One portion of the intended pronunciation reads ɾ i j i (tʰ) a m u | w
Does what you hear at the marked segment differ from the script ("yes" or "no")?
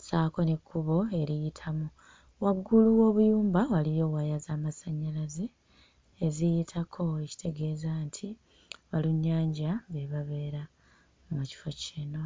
no